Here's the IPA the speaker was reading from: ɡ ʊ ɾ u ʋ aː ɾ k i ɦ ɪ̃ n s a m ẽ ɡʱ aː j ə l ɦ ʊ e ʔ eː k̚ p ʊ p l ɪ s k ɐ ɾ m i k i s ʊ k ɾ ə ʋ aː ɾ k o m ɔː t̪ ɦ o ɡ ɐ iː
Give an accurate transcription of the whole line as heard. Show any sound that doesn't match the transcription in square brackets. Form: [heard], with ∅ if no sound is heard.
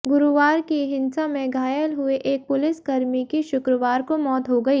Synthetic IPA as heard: ɡ ʊ ɾ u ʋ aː ɾ k i ɦ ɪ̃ n s a m ẽ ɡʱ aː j ə l ɦ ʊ e ʔ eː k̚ p ʊ [∅] l ɪ s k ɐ ɾ m i k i [ʃ] ʊ k ɾ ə ʋ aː ɾ k o m ɔː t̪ ɦ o ɡ ɐ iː